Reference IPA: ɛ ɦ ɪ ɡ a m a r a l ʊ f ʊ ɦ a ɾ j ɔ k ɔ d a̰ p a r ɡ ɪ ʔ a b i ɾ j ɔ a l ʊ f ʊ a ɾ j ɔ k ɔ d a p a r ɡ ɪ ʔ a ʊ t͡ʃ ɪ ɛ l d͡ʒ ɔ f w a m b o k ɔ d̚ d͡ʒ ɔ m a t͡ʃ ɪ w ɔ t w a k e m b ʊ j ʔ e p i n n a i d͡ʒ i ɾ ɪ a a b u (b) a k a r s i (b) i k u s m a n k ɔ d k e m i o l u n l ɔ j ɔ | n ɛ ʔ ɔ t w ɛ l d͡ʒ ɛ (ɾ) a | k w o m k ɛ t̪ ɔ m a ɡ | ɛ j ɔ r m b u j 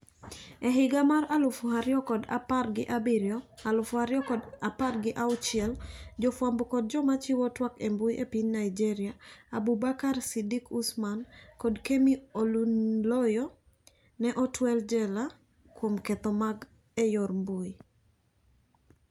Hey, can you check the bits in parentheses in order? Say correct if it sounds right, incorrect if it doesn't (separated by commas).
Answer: correct, incorrect, incorrect